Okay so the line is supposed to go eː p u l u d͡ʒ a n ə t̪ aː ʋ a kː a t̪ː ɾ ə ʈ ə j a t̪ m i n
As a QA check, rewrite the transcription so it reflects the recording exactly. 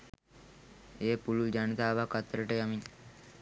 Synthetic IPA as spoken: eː p u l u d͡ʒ a n ə t̪ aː ʋ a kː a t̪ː ɾ ə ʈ ə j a m i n

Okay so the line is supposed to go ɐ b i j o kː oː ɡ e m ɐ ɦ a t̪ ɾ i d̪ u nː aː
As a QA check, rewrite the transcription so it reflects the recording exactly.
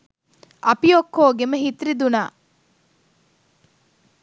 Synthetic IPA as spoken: ɐ p i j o kː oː ɡ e m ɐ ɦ i t̪ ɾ i d̪ u n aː

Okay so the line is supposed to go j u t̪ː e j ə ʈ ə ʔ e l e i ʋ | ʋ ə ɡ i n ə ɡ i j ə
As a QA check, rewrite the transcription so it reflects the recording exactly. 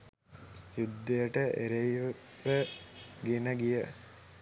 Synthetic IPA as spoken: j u d̪ː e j ə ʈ ə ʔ e ɾ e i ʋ | ʋ ə ɡ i n ə ɡ i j ə

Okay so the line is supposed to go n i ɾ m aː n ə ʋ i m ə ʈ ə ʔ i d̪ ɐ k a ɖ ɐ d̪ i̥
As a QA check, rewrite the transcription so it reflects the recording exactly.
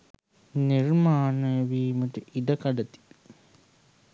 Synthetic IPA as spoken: n i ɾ m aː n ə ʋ iː m ə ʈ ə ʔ i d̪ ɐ k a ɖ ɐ t̪ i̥

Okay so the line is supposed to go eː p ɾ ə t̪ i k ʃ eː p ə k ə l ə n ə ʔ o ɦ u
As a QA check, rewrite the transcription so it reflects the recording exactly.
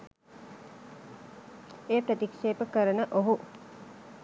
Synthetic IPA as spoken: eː p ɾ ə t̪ i k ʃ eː p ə k ə ɾ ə n ə ʔ o ɦ u

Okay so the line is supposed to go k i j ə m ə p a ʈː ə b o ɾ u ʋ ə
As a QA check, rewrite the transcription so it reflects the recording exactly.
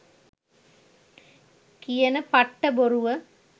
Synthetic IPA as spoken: k i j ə n ə p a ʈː ə b o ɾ u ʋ ə

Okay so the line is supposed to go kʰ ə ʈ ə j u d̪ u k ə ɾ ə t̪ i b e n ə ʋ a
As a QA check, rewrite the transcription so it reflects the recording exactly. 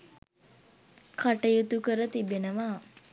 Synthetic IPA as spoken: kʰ a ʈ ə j u t̪ u k ə ɾ ə t̪ i b e n ə ʋ a

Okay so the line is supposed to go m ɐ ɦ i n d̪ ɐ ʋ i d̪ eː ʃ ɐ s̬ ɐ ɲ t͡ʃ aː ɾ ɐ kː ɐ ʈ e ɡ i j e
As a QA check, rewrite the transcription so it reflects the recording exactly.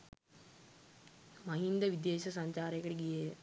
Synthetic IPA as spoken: m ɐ ɦ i n d̪ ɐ ʋ i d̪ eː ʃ ɐ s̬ ɐ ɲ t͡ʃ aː ɾ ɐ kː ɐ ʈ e ɡ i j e

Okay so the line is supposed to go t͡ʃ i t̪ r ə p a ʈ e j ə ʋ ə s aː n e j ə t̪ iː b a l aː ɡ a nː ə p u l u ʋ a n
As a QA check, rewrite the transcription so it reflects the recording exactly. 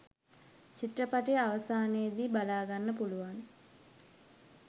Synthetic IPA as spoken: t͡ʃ i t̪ r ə p a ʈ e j a ʋ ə s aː n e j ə d̪ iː b a l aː ɡ a nː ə p u l u ʋ a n

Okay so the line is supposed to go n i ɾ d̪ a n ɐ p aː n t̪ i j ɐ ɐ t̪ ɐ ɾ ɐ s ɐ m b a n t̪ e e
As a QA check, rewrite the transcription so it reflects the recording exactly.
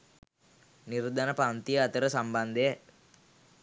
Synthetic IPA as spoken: n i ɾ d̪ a n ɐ p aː n t̪ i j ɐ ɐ t̪ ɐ ɾ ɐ s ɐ m b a n d̪ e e

